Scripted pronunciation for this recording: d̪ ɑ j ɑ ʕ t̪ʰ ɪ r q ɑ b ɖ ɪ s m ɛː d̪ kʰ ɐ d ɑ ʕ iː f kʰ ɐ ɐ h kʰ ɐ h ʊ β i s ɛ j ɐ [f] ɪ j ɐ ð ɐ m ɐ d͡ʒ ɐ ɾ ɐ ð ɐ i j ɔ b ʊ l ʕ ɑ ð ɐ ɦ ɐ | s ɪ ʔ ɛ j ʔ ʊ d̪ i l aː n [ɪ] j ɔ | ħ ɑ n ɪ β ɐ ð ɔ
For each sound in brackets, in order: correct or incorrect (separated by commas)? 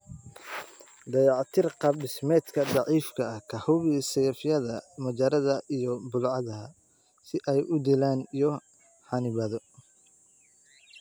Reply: correct, incorrect